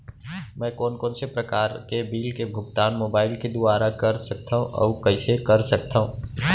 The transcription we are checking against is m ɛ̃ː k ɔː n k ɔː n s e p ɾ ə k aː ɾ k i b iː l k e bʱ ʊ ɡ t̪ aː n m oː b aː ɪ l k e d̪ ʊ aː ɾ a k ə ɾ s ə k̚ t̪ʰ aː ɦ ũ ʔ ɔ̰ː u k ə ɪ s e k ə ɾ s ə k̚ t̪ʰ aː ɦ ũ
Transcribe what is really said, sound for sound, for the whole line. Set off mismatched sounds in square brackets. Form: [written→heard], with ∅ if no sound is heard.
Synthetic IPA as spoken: m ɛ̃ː k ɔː n k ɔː n s e p ɾ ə k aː ɾ k [i→e] b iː l k e bʱ ʊ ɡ t̪ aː n m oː b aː ɪ l k e d̪ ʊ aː ɾ a k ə ɾ s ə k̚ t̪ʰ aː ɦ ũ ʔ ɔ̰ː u k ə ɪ s e k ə ɾ s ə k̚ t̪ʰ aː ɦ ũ